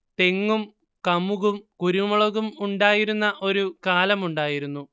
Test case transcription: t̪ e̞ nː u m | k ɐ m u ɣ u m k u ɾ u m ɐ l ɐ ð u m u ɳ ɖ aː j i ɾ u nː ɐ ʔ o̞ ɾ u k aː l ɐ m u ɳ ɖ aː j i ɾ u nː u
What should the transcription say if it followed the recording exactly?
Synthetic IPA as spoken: t̪ e̞ ŋː u m | k ɐ m u ɣ u m k u ɾ u m ɐ ɭ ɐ ɣ u m u ɳ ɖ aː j i ɾ u nː ɐ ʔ o̞ ɾ u k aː l ɐ m u ɳ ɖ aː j i ɾ u nː u